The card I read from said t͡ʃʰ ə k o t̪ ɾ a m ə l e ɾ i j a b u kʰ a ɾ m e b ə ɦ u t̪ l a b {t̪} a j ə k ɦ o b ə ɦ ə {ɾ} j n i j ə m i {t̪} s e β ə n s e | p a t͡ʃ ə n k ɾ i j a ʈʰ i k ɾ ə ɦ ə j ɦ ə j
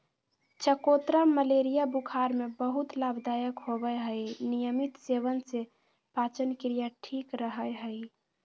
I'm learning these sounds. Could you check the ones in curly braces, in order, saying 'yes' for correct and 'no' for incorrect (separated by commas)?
no, no, yes